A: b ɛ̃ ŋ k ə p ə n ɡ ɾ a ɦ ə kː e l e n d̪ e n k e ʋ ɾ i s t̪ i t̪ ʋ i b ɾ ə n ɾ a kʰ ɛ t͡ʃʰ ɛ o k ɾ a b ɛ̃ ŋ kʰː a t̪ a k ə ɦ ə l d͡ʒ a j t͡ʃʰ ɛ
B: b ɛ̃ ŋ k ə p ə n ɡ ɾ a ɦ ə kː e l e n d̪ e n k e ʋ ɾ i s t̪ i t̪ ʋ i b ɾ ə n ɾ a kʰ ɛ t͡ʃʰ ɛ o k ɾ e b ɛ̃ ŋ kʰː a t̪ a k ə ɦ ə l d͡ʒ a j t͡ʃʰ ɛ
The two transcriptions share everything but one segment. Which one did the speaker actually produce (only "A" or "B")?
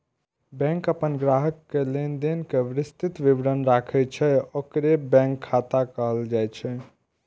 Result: B